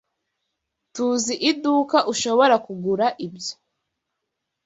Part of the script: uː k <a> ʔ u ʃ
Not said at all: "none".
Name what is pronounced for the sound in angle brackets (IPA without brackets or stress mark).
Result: a